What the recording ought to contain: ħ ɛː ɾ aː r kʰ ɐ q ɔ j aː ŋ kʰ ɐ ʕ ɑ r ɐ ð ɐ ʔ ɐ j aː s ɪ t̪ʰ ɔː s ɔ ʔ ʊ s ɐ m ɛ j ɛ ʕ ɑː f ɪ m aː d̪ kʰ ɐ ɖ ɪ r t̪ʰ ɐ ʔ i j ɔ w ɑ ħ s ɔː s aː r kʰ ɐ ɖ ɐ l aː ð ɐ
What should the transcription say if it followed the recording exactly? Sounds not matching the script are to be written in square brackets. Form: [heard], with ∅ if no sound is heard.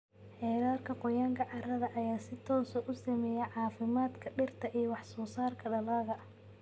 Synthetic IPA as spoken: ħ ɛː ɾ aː r kʰ ɐ q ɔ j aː ŋ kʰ ɐ ʕ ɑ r ɐ ð ɐ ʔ ɐ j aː s ɪ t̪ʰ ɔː s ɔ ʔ ʊ s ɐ m ɛ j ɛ ʕ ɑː f ɪ m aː d̪ kʰ ɐ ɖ ɪ r t̪ʰ ɐ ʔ i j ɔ w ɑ ħ s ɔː s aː r kʰ ɐ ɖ ɐ l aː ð ɐ